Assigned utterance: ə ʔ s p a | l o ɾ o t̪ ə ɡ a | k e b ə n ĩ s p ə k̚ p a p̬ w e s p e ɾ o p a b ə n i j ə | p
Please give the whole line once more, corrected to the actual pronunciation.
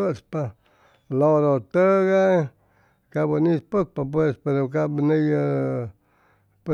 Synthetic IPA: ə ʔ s p a | l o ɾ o t̪ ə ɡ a | k a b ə n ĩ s p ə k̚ p a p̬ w e s p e ɾ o k a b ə n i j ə | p